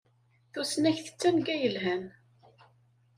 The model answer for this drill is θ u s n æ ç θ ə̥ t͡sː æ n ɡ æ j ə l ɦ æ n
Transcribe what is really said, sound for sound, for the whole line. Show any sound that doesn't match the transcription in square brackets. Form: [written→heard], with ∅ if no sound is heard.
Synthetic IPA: θ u s n æ ç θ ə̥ t͡sː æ n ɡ æ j ə l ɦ æ n